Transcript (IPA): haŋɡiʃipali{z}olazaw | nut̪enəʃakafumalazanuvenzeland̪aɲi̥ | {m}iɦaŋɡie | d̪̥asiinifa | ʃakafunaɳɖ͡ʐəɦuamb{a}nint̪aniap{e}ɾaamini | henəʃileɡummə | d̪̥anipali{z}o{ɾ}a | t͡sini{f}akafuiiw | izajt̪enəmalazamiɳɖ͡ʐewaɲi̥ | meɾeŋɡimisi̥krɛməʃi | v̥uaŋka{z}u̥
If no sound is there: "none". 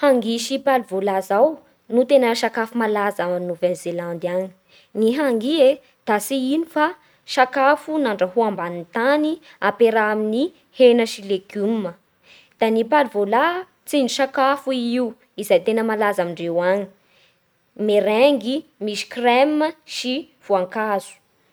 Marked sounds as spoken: v, n, a, e, v, l, ʃ, z

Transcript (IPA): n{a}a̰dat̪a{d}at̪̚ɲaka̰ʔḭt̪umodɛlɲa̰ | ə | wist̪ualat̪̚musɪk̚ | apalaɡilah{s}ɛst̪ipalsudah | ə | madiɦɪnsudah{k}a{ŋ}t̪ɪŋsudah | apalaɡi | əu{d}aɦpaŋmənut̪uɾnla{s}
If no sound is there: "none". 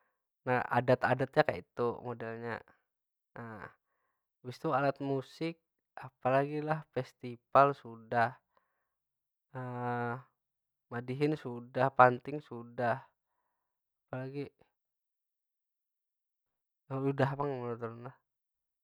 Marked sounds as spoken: a, d, f, p, n, d, h

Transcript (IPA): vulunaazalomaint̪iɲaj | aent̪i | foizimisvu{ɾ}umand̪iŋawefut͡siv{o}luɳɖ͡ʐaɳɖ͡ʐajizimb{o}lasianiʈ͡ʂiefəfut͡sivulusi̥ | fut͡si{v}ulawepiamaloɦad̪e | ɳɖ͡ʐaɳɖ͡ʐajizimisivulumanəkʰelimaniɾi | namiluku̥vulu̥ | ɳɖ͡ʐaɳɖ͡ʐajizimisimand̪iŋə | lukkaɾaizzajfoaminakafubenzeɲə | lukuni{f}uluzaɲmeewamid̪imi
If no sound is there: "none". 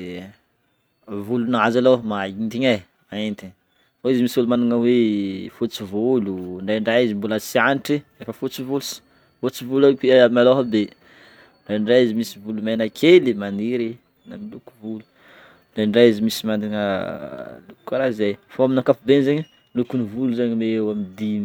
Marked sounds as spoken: l, u, u, v, v

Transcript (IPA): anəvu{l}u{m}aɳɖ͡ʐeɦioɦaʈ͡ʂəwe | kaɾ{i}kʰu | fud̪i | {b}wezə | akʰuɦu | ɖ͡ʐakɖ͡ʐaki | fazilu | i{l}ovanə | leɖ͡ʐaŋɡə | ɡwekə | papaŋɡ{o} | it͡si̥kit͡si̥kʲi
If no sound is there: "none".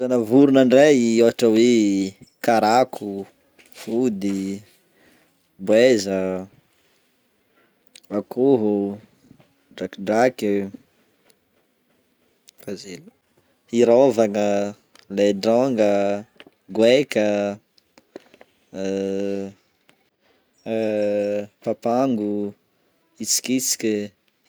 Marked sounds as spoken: ɾ, n, a, b, ɾ, u

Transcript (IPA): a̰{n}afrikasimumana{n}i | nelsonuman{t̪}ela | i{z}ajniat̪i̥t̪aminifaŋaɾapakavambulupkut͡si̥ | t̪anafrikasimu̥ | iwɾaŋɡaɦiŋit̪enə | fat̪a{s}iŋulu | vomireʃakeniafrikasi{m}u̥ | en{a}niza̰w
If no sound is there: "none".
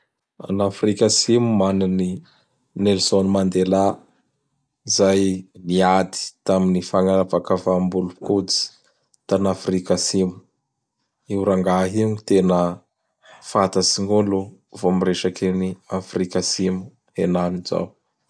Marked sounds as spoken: n, n, d̪, z, s, m, a

